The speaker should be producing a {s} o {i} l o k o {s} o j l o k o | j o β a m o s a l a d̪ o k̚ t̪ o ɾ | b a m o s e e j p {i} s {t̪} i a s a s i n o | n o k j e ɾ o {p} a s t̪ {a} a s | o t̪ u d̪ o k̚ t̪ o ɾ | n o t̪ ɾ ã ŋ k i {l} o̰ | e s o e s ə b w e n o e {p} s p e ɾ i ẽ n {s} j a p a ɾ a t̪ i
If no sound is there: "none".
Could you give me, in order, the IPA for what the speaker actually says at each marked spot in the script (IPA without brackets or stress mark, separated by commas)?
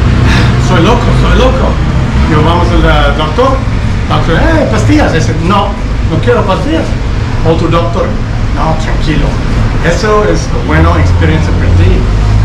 s, j, s, a, t̪, p, i, l, k, s